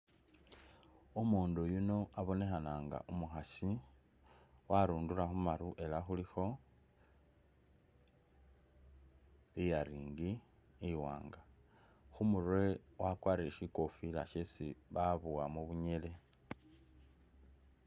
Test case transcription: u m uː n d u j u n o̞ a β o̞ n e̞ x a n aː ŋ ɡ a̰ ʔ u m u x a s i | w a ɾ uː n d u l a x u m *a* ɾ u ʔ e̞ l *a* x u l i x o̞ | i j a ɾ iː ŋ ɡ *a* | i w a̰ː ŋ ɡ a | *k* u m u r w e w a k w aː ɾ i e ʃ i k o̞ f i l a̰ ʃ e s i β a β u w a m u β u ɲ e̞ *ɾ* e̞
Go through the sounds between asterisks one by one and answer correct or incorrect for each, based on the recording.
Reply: correct, correct, incorrect: i, incorrect: x, incorrect: l

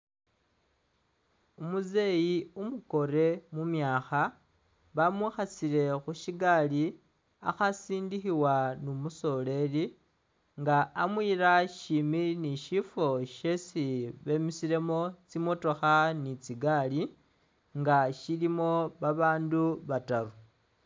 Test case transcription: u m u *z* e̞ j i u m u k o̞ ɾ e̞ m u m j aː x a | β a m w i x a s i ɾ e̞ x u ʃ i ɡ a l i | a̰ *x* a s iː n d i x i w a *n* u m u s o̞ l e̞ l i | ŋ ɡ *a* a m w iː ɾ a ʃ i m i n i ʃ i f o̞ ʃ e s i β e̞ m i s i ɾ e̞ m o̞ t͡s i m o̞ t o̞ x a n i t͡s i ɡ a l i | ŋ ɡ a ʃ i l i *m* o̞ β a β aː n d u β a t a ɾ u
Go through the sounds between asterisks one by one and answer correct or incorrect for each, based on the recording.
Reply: correct, correct, correct, correct, correct

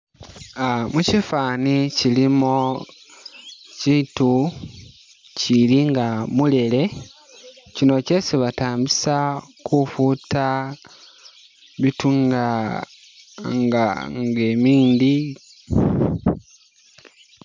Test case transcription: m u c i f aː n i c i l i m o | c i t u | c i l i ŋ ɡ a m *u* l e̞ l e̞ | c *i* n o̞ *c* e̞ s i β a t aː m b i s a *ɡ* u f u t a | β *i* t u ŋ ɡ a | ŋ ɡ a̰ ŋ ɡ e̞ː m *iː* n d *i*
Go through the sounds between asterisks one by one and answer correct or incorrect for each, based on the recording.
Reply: correct, correct, correct, incorrect: k, correct, correct, correct

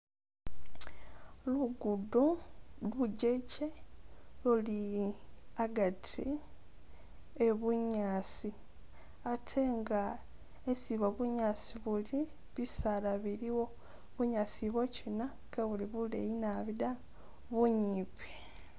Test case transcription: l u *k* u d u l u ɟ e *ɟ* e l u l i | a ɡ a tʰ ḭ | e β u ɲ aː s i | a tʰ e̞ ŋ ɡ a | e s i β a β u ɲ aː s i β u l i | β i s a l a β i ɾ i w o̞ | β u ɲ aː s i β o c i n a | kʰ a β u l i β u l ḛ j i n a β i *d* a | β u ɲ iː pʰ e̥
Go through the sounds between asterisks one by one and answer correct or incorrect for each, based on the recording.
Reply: incorrect: ɡ, incorrect: c, correct

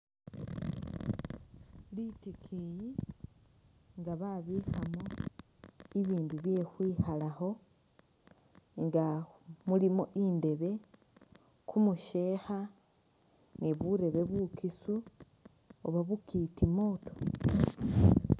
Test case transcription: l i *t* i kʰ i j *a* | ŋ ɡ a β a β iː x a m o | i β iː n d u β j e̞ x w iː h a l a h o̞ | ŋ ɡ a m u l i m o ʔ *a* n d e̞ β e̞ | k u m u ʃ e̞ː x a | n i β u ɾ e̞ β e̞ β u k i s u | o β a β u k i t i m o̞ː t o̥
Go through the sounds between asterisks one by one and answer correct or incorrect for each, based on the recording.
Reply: correct, incorrect: i, incorrect: i

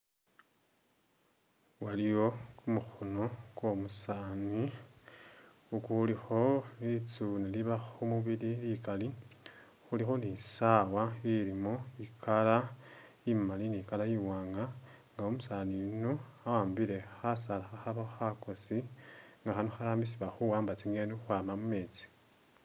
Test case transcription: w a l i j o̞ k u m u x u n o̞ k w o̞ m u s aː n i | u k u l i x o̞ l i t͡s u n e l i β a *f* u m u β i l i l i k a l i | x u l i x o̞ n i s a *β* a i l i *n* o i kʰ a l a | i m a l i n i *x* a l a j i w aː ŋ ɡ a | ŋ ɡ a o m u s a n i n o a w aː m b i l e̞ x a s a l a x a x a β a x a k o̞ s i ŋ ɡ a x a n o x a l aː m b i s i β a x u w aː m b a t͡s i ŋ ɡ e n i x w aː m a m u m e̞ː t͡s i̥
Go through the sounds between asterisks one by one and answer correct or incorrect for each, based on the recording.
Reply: incorrect: x, incorrect: w, incorrect: m, incorrect: k

